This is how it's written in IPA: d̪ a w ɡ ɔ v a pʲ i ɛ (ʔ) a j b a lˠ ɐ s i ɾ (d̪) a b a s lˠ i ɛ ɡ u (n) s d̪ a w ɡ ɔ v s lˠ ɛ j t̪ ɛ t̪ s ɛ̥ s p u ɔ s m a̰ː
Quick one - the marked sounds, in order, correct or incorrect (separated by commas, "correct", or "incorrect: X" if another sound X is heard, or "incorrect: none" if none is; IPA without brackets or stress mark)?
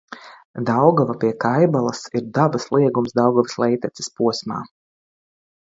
incorrect: k, correct, incorrect: m